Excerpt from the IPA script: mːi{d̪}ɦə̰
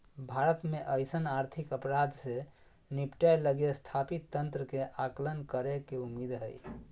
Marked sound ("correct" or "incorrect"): correct